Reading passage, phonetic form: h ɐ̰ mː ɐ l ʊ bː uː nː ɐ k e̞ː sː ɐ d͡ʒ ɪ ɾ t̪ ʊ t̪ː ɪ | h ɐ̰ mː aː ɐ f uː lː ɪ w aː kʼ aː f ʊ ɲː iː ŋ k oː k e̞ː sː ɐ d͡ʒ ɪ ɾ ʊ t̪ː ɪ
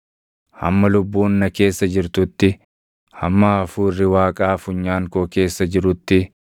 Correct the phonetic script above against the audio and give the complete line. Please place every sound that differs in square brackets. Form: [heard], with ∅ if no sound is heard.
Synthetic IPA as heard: h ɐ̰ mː ɐ l ʊ bː uː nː ɐ k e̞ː sː ɐ d͡ʒ ɪ ɾ t̪ ʊ t̪ː ɪ | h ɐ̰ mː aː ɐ f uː [rː] ɪ w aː kʼ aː f ʊ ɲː [aː] ŋ k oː k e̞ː sː ɐ d͡ʒ ɪ ɾ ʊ t̪ː ɪ